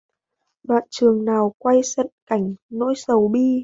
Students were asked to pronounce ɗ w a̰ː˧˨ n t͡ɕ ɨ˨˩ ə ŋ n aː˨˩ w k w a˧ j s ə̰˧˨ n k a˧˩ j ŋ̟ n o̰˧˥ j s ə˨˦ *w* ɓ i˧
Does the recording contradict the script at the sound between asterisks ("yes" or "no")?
no